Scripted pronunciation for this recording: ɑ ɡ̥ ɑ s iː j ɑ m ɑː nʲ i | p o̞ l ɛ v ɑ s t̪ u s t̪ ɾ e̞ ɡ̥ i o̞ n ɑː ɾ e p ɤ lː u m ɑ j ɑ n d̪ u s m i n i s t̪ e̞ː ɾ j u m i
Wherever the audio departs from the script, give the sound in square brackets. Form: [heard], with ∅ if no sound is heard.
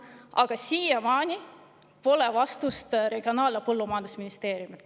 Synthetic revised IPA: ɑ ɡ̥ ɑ s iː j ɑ m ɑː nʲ i | p o̞ l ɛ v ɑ s t̪ u s t̪ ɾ e̞ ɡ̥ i o̞ n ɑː [l] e p ɤ lː u m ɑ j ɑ n d̪ u s m i n i s t̪ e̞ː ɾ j u m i